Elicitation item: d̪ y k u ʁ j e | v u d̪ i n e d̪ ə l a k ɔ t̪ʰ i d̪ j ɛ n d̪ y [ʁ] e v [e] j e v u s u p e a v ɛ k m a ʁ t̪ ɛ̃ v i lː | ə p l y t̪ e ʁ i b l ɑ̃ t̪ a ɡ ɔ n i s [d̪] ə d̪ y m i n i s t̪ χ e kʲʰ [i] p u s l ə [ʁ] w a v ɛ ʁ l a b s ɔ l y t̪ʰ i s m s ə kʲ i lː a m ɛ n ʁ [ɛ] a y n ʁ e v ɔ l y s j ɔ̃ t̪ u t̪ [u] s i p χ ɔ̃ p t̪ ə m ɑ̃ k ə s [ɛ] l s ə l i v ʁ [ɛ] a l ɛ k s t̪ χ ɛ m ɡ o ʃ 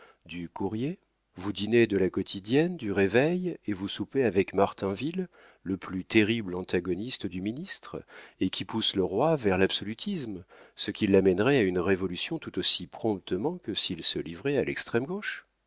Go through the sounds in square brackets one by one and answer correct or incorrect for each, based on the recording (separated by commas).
correct, incorrect, incorrect, correct, correct, correct, incorrect, incorrect, correct